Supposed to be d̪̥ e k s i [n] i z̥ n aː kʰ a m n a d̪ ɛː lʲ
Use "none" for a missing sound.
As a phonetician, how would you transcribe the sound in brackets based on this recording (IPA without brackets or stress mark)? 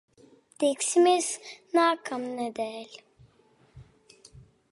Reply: m